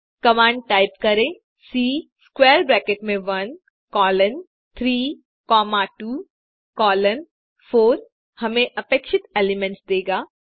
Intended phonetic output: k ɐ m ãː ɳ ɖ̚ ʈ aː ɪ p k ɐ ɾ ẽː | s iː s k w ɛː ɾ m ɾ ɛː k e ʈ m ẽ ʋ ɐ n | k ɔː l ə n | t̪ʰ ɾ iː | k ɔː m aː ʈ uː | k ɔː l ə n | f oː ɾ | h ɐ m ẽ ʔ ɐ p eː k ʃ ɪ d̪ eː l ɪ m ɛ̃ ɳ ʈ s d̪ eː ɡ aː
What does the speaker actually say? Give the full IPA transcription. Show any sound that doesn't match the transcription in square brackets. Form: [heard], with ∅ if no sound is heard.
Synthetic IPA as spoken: k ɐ m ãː ɳ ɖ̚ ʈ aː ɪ p k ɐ ɾ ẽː | s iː s k w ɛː ɾ [b] ɾ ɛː k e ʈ m ẽ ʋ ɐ n | k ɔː l ə n | t̪ʰ ɾ iː | k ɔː m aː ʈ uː | k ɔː l ə n | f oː ɾ | h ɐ m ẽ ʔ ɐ p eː k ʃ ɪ [t̪] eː l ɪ m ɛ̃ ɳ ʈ s d̪ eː ɡ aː